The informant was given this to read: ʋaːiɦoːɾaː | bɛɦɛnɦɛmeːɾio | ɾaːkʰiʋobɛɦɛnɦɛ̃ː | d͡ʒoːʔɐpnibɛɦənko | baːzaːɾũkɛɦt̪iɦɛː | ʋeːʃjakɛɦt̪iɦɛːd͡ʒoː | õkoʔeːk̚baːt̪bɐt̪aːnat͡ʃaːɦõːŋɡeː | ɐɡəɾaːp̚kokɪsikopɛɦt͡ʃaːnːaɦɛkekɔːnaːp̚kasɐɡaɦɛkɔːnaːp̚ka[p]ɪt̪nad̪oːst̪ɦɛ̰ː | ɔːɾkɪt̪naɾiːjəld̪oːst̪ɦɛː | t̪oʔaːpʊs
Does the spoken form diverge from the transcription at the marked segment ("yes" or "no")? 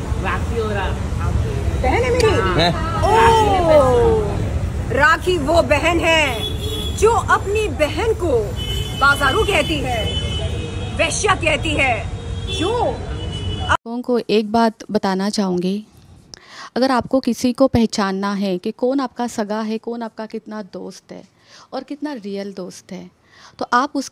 yes